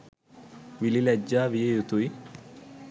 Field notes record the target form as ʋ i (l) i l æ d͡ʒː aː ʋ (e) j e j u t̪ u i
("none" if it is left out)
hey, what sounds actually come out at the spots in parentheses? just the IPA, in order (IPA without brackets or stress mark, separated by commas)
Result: l, i